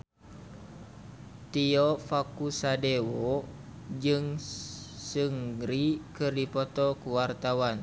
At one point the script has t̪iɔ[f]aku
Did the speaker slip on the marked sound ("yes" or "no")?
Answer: no